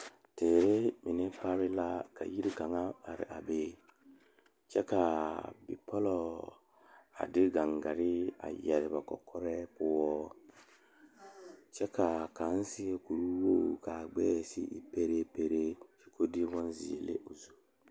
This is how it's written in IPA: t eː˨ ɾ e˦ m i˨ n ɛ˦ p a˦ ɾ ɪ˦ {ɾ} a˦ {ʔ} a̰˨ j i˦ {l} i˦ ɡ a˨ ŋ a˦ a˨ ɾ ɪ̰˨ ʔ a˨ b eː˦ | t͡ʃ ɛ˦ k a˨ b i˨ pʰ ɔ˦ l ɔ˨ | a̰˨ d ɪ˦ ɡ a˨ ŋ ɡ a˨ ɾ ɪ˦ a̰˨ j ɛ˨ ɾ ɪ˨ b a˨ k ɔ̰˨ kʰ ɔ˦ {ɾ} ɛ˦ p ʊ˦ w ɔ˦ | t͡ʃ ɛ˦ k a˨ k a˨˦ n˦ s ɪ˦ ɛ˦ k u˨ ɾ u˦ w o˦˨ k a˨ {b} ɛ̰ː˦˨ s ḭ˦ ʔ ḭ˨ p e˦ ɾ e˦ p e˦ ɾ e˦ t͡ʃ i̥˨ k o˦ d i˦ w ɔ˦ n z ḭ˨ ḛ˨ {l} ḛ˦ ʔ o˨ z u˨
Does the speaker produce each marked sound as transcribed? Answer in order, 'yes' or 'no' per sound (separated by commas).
no, no, no, yes, no, yes